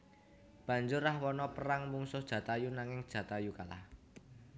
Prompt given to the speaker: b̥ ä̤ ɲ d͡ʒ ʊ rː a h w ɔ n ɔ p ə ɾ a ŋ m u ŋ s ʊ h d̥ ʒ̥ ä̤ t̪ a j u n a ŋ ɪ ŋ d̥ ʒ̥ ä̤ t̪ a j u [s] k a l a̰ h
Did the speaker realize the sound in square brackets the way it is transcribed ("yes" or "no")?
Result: no